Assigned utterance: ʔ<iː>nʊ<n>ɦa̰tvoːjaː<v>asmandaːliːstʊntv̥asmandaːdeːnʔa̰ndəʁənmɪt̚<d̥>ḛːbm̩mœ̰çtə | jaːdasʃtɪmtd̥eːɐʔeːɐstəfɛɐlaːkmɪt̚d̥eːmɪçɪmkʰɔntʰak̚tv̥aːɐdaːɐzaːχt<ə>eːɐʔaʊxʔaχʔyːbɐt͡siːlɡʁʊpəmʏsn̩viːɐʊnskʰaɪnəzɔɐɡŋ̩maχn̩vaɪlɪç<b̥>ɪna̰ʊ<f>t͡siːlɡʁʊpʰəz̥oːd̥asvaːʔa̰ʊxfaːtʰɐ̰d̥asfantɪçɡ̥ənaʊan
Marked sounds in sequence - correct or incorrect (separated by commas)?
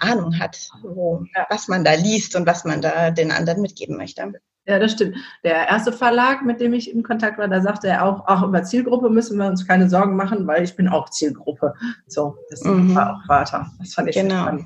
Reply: incorrect, incorrect, correct, incorrect, correct, correct, incorrect